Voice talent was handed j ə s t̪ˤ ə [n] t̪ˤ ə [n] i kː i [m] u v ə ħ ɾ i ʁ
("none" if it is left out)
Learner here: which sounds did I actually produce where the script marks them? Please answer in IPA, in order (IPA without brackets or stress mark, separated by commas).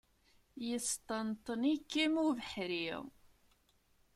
n, n, m